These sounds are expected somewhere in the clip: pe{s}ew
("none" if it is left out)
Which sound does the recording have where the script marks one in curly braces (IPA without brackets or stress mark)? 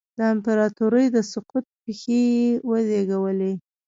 x